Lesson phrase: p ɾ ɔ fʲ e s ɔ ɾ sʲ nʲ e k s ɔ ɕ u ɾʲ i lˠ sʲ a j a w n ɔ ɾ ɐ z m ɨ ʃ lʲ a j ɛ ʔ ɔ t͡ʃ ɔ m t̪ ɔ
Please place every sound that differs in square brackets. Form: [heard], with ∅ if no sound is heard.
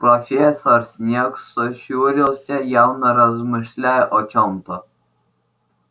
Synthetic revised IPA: p ɾ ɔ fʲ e s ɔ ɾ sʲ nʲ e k s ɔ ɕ u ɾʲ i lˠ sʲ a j a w n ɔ ɾ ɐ z m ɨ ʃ lʲ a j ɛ ʔ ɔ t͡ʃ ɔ m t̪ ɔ